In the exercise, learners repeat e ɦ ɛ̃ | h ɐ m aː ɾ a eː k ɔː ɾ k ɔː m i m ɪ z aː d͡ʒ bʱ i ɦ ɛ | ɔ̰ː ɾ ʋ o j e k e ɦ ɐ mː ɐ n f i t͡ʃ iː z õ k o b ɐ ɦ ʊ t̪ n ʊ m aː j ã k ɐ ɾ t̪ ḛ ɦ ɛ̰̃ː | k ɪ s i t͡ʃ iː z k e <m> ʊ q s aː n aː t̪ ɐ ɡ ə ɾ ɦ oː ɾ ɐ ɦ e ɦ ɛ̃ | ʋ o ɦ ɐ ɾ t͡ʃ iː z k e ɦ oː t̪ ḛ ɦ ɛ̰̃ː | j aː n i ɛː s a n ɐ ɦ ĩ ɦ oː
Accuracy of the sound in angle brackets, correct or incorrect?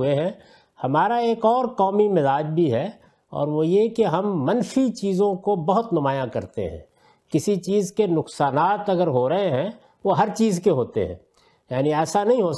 incorrect